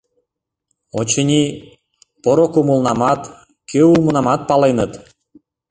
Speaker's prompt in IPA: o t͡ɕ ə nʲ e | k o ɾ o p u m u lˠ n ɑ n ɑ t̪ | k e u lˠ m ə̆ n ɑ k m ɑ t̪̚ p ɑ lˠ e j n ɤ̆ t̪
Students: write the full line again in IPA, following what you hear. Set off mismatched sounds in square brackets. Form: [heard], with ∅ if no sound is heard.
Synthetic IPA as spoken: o t͡ɕ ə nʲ [i] | [p] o ɾ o [k] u m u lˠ n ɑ [m] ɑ t̪ | k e u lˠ m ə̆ n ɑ [∅] m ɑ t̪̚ p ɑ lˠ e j n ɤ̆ t̪